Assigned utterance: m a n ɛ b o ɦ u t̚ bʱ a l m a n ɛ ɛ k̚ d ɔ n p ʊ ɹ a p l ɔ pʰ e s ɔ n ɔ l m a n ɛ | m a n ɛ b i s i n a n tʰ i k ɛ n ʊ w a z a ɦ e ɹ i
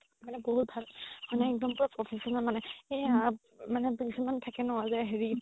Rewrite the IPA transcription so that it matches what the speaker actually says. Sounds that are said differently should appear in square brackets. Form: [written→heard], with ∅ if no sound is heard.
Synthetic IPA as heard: m a n ɛ b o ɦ u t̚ bʱ a l m a n ɛ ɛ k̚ d ɔ [n→m] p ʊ ɹ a p [l→ɹ] ɔ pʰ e s ɔ n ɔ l m a n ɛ | m a n ɛ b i s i [n→m] a n tʰ [i→a] k ɛ n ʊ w a z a ɦ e ɹ i

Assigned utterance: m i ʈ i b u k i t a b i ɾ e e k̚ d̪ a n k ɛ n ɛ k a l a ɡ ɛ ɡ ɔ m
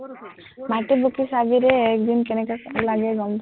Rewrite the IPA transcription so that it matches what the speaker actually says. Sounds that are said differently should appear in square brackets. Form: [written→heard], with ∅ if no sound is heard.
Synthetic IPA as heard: m [i→a] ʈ i b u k i [t→s] a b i ɾ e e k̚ d̪ [a→i] n k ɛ n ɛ k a l a ɡ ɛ ɡ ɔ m

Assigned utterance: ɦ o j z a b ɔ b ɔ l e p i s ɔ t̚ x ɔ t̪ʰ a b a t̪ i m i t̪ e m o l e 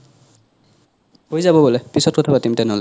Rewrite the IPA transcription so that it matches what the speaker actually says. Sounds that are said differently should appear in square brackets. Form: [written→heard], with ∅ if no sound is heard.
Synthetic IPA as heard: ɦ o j z a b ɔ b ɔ l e p i s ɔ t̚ [x→k] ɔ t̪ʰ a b a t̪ i m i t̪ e [m→n] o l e

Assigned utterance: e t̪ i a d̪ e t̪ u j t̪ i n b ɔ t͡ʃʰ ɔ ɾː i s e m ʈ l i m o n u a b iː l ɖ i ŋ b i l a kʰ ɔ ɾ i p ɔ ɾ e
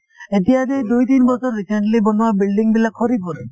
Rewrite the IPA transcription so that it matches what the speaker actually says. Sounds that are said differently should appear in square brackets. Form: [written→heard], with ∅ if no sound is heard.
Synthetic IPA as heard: e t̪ i a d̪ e [t̪→d̪] u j t̪ i n b ɔ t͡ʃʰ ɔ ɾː i s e [m→ɳ] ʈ l i [m→b] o n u a b [iː→i] l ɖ i ŋ b i l a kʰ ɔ ɾ i p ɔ ɾ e

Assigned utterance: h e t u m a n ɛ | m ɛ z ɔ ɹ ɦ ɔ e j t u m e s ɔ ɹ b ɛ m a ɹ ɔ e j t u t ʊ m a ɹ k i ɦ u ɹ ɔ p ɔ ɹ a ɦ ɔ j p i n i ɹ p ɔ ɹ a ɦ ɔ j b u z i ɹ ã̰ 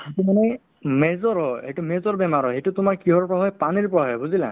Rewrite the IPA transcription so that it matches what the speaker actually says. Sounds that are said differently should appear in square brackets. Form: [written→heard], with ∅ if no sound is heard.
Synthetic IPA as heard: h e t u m a n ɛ | m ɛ z ɔ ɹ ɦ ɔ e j t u m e [s→z] ɔ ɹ b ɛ m a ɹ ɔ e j t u t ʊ m a ɹ k i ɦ [u→ɔ] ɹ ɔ p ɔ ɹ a ɦ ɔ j p [i→a] n i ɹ p ɔ ɹ a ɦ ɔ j b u z i [ɹ→l] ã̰

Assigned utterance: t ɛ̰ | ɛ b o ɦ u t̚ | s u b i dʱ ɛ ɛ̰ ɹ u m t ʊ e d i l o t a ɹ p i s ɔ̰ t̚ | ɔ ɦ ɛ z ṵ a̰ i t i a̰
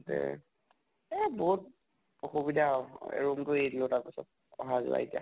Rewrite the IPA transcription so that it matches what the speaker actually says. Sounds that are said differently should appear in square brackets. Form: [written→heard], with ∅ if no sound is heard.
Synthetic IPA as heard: t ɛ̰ | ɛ b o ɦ u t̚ | [s→x] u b i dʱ [ɛ→a] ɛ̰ ɹ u m t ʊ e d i l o t a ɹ p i s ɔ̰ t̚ | ɔ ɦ [ɛ→a] z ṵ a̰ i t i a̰

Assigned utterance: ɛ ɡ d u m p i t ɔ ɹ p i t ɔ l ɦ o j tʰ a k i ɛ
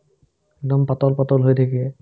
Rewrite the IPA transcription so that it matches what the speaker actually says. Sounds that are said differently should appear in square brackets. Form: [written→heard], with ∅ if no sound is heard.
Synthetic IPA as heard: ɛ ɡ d [u→ɔ] m p [i→a] t ɔ [ɹ→l] p [i→a] t ɔ l ɦ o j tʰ a k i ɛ

